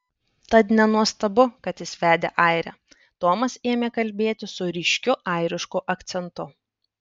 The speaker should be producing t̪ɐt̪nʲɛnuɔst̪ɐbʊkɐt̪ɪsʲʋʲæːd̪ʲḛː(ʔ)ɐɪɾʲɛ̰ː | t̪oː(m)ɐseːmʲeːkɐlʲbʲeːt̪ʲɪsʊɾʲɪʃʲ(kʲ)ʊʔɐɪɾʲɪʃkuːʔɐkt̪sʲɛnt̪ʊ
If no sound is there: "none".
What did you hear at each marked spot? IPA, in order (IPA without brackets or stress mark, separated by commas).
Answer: ʔ, m, kʲ